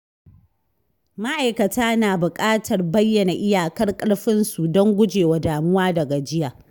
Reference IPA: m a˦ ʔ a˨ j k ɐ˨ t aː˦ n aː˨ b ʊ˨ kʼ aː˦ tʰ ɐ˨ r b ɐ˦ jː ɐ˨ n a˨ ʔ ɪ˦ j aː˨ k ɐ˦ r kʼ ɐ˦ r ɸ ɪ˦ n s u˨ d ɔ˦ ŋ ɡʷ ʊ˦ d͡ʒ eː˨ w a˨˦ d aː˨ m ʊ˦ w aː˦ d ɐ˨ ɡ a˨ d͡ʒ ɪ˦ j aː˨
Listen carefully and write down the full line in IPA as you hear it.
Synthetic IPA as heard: m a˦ ʔ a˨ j k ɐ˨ t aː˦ n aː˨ b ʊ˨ kʼ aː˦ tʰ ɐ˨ r b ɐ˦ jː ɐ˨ n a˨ ʔ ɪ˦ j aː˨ k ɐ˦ r kʼ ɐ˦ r ɸ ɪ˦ n s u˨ d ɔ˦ ŋ ɡʷ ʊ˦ d͡ʒ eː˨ w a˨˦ d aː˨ m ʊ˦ w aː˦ d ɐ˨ ɡ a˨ d͡ʒ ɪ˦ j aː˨